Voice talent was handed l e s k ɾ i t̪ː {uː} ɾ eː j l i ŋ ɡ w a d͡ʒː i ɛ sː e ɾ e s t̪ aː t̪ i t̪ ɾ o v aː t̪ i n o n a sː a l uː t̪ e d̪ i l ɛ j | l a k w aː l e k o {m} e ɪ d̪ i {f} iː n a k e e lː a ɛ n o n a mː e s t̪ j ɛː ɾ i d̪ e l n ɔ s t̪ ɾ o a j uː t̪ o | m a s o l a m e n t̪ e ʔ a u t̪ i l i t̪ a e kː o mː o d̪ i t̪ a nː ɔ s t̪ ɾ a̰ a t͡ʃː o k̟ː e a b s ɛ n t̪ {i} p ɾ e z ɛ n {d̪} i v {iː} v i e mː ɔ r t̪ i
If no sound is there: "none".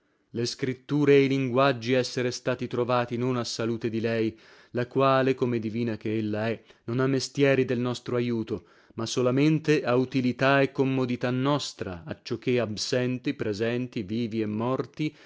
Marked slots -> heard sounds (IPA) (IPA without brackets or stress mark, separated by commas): uː, m, v, i, t̪, iː